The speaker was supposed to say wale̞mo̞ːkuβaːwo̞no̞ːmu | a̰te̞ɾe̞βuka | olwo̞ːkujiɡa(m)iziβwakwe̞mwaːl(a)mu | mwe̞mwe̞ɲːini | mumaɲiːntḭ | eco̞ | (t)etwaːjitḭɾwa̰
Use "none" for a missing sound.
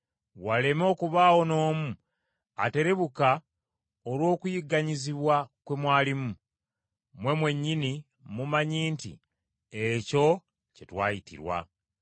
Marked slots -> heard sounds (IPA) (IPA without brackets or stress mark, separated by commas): ɲ, i, c